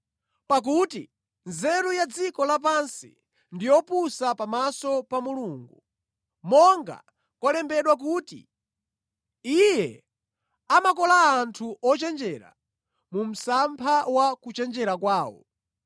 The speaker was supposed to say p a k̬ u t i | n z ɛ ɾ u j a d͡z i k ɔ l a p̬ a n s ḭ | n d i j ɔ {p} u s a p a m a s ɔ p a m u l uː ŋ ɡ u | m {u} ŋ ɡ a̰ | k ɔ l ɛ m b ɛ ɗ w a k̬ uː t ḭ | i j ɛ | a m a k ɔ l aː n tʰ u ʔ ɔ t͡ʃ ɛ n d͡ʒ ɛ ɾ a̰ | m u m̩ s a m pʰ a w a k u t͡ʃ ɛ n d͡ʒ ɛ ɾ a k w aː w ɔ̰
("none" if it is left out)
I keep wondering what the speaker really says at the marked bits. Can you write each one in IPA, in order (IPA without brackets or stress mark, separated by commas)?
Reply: p, ɔ